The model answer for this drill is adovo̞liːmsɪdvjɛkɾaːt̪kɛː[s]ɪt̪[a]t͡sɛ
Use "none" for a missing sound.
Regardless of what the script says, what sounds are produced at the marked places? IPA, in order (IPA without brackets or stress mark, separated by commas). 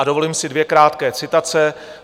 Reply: t͡s, a